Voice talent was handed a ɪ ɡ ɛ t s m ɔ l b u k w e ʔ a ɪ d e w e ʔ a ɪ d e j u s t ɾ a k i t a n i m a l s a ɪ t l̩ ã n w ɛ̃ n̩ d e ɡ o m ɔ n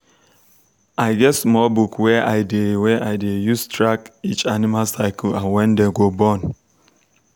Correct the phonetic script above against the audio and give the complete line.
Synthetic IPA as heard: a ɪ ɡ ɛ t s m ɔ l b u k w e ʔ a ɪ d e w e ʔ a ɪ d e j u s t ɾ a k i t͡ʃ a n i m a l s a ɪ k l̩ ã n w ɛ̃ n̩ d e ɡ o b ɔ n